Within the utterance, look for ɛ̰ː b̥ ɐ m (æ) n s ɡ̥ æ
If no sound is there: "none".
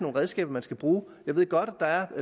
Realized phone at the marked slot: æ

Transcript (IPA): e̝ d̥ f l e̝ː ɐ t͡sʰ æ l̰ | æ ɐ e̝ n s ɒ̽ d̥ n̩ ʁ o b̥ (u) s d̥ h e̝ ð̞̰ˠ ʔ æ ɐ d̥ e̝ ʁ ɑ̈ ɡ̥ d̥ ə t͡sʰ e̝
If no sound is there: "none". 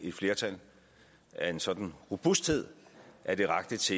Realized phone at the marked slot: u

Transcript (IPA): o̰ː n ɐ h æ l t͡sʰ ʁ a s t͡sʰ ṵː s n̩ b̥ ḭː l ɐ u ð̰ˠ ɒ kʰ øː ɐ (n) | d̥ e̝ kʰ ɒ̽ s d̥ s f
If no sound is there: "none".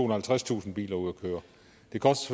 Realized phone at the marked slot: none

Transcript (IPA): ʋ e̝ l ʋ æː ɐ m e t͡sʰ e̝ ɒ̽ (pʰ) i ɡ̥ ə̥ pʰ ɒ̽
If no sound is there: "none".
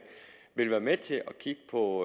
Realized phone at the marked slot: kʰ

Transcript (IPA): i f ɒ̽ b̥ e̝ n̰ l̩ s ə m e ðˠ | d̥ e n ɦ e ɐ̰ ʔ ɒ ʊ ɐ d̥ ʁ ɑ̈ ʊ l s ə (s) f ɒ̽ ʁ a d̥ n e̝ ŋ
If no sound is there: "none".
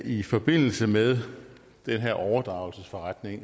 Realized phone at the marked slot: s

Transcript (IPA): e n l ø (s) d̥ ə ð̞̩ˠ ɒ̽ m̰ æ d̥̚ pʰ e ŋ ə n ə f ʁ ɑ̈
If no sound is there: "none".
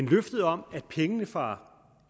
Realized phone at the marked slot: f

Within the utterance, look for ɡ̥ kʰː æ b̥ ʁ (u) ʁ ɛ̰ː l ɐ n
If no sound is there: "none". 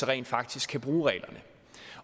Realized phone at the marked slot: uː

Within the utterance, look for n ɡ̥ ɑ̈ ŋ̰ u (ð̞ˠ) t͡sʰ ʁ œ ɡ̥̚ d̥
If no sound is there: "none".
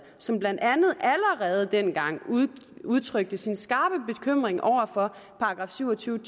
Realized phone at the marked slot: ð̞ˠ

